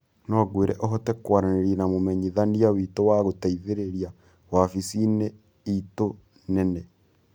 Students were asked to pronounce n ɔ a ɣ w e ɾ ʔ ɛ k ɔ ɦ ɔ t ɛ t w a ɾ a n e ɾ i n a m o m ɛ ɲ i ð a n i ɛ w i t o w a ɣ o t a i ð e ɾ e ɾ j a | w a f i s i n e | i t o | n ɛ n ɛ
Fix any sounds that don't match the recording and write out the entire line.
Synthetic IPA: n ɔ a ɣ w e ɾ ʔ ɛ ʔ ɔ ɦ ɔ t ɛ k w a ɾ a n e ɾ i n a m o m ɛ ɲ i ð a n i a w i t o w a ɣ o t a i ð e ɾ e ɾ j a | w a f i s i n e | i t o | n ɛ n ɛ

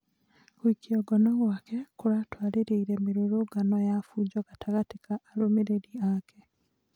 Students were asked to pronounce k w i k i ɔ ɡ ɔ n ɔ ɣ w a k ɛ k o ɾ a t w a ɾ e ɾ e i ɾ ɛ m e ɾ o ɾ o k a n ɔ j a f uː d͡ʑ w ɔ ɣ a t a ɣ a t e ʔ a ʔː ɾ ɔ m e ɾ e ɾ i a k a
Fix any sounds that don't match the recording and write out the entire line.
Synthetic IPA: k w i k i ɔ ɡ ɔ n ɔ ɣ w a k ɛ k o ɾ a t w a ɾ e ɾ e i ɾ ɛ m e ɾ o ɾ o ɡ a n ɔ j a f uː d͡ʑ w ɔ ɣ a t a ɣ a t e k a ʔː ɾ o m e ɾ e ɾ i a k ɛ

